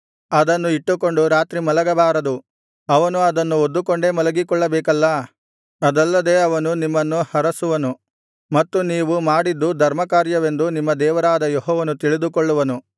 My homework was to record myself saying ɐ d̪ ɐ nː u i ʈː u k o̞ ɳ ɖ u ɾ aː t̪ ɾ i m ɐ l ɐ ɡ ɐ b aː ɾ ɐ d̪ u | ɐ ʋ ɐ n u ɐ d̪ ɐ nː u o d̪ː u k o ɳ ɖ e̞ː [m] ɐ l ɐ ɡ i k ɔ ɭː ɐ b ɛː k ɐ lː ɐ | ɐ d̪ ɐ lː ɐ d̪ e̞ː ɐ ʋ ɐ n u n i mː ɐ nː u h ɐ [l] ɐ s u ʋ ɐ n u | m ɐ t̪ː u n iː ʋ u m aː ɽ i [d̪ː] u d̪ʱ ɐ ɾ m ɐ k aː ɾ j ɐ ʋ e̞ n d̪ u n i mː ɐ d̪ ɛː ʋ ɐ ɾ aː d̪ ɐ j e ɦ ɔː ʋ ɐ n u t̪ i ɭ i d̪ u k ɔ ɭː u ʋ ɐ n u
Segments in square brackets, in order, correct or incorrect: correct, incorrect: ɾ, correct

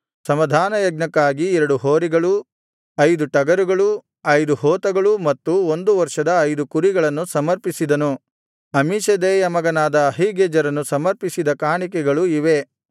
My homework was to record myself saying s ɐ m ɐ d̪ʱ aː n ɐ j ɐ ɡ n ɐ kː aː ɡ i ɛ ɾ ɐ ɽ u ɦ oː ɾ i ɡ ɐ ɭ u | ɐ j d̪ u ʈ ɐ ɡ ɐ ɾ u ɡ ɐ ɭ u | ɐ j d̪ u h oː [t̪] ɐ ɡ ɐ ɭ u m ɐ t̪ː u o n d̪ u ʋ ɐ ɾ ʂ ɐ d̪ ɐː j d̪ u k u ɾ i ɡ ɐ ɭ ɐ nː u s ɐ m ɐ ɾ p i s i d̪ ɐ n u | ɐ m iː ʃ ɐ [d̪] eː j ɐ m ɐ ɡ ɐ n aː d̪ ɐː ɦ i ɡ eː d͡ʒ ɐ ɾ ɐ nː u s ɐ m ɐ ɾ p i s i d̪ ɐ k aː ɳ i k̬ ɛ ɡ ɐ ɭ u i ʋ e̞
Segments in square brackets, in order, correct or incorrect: correct, correct

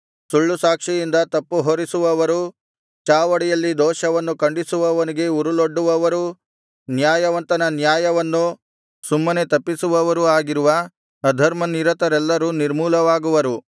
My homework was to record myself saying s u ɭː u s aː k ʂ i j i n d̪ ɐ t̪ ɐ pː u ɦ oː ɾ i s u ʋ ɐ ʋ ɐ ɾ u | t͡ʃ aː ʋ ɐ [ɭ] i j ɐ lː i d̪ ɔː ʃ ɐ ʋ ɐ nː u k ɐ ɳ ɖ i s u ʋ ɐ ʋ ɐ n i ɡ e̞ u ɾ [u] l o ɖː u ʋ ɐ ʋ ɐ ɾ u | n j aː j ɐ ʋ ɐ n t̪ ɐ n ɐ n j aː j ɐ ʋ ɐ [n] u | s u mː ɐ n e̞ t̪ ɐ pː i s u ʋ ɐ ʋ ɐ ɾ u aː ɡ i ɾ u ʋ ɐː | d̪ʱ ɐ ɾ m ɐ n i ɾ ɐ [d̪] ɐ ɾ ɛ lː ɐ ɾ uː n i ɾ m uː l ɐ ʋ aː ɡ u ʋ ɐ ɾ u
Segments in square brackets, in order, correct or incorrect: incorrect: ɽ, correct, incorrect: nː, incorrect: t̪

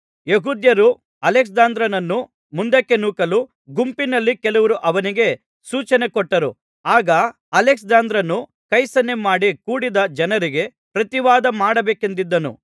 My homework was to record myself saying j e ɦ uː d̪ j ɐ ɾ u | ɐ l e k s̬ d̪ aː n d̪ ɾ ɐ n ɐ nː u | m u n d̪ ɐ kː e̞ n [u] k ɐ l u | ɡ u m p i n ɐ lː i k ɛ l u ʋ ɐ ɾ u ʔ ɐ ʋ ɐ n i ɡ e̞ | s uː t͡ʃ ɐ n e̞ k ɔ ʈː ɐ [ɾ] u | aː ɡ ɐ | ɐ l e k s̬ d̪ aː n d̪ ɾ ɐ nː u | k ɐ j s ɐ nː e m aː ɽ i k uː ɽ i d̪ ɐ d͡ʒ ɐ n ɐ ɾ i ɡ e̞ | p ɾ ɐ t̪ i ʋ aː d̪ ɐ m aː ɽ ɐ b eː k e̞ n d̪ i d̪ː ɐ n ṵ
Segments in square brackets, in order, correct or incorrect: incorrect: uː, correct

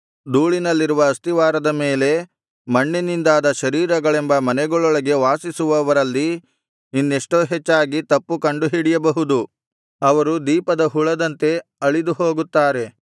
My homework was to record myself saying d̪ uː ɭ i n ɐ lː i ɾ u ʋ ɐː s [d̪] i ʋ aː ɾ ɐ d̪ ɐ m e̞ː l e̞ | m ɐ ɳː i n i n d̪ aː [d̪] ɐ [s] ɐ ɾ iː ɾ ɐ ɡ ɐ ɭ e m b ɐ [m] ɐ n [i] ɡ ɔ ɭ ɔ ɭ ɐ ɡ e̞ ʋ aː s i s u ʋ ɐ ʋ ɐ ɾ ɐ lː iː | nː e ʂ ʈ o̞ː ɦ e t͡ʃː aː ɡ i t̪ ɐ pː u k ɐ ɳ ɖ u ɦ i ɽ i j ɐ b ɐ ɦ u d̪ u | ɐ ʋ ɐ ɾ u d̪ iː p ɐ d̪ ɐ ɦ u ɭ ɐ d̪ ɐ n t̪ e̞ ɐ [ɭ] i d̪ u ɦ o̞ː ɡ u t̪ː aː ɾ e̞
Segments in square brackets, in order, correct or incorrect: incorrect: t̪, correct, incorrect: ʃ, correct, incorrect: ɛ, correct

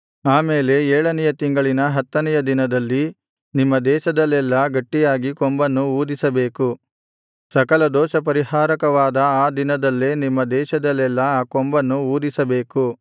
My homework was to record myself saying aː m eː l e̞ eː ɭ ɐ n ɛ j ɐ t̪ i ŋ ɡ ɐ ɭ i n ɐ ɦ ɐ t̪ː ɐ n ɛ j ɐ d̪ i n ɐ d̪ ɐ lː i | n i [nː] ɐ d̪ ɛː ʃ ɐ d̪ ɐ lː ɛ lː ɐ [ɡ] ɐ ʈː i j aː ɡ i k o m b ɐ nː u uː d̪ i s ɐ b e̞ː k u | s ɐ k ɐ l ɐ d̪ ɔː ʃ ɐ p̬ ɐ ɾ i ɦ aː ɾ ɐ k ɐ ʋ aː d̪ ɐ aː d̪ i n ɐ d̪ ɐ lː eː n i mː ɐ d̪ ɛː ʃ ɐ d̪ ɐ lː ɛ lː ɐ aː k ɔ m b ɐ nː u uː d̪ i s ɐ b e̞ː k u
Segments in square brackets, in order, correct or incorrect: incorrect: mː, correct

